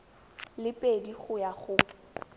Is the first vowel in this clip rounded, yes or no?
no